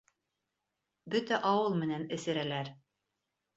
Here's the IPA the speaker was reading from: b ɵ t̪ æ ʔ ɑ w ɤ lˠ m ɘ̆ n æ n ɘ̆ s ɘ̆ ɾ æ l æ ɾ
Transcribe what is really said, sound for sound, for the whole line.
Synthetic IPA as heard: b ɵ t̪ æ ʔ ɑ w ɤ lˠ m ɘ̆ n æ n ɘ̆ s ɘ̆ ɾ æ l æ ɾ